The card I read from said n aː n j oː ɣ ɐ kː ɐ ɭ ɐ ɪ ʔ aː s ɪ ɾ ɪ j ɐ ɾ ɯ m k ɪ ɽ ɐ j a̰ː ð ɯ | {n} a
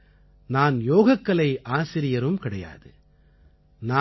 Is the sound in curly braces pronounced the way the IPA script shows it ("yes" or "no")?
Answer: yes